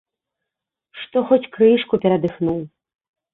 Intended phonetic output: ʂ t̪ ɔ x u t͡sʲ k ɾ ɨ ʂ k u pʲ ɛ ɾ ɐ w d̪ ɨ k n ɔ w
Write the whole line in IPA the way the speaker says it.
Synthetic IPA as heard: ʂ t̪ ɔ x ɔ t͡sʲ k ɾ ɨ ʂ k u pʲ ɛ ɾ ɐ d̪ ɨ x n u w